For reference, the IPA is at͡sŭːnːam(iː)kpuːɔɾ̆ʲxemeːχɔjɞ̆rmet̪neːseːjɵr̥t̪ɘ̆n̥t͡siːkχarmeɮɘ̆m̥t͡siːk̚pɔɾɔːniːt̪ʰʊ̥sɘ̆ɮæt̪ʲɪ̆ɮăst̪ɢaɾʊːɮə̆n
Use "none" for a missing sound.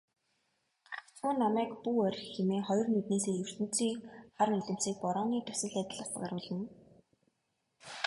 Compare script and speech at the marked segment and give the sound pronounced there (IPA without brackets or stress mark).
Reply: æː